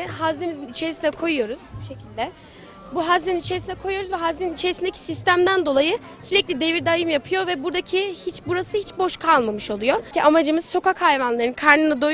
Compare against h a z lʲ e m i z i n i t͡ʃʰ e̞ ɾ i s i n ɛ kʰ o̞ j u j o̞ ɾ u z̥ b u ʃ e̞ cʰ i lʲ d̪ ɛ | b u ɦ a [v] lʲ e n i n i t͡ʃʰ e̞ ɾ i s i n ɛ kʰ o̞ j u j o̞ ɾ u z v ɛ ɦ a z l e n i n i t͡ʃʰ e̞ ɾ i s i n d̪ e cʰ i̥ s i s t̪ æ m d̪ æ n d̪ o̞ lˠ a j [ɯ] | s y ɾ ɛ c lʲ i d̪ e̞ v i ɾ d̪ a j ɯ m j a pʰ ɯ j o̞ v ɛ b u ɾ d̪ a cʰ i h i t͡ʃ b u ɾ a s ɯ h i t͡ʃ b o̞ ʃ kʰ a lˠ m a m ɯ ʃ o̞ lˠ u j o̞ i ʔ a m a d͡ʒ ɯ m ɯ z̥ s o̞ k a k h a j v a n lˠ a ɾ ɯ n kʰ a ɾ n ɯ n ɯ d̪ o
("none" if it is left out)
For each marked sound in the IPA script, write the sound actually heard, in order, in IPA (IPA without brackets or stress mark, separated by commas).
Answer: z, ɯ